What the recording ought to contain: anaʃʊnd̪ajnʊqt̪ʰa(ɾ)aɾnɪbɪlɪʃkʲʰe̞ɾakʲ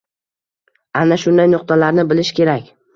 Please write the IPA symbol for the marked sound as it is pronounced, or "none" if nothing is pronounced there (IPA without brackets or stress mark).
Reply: l